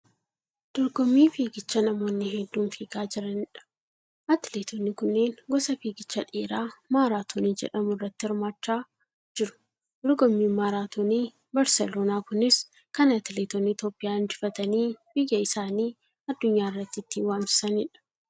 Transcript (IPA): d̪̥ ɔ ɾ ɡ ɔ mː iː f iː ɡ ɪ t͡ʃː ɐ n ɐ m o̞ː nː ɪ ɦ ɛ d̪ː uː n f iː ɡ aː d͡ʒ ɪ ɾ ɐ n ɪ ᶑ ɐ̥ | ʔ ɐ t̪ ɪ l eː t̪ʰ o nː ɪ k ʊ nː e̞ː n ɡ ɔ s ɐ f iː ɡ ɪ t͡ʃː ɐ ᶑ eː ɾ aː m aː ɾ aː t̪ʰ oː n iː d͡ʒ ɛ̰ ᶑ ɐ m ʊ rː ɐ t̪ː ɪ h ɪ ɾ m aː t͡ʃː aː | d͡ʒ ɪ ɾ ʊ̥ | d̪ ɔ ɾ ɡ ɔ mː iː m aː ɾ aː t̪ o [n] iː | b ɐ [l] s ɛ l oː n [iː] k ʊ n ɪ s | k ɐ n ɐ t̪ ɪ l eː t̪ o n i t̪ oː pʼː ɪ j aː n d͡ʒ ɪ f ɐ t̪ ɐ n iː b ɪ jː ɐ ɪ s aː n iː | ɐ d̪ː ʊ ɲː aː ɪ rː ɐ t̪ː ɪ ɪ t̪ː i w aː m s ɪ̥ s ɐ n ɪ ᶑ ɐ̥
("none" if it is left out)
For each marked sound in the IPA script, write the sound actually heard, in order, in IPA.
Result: n, ɾ, aː

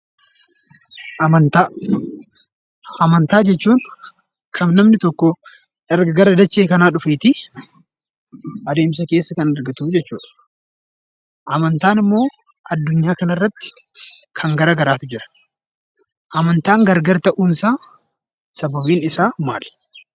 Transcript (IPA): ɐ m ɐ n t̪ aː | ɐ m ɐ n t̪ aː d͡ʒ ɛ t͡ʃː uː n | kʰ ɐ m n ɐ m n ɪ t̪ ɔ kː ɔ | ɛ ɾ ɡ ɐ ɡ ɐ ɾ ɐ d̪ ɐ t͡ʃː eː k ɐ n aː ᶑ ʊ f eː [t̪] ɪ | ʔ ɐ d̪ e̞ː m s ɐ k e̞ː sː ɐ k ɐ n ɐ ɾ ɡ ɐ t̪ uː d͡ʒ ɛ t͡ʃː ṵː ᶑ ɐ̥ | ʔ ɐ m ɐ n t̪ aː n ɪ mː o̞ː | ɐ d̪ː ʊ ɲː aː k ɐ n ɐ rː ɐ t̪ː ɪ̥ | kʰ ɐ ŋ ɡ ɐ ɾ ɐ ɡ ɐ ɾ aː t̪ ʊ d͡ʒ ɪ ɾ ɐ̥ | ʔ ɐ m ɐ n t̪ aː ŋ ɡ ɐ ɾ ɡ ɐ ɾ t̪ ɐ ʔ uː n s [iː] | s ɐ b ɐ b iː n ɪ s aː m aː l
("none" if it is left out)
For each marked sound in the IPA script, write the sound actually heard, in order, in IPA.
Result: t̪, aː

